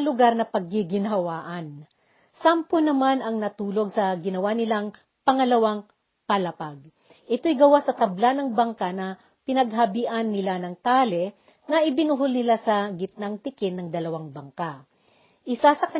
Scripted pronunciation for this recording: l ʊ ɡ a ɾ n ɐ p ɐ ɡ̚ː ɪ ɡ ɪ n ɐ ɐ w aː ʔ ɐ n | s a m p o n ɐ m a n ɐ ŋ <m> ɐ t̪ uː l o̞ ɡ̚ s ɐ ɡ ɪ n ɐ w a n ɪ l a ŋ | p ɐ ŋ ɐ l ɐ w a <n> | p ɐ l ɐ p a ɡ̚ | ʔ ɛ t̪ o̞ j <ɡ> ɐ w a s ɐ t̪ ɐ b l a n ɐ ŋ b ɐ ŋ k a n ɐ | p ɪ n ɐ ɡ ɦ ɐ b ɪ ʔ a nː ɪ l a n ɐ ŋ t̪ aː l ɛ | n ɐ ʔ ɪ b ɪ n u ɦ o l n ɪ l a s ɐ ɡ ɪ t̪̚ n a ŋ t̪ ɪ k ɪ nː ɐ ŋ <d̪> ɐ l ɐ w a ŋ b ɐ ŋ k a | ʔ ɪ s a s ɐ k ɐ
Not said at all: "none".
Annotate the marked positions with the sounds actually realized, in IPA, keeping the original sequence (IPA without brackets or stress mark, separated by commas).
n, ŋ, ɡ, d̪